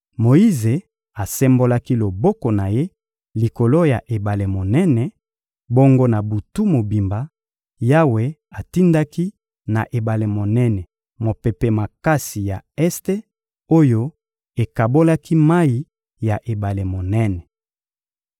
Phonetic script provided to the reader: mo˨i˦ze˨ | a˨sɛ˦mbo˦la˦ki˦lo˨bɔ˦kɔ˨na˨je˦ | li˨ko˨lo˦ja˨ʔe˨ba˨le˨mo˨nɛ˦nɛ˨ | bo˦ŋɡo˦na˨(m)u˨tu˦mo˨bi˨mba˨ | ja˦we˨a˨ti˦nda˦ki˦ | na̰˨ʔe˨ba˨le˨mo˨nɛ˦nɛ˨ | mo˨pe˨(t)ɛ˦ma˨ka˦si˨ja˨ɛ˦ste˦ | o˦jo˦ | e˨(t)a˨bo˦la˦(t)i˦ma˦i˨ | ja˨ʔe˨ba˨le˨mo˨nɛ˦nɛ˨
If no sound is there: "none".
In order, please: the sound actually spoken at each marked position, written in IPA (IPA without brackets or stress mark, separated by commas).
b, p, k, k